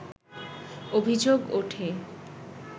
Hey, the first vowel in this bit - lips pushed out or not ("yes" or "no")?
yes